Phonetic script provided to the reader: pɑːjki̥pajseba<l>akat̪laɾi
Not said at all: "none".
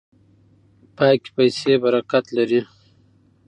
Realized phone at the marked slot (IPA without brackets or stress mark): ɾ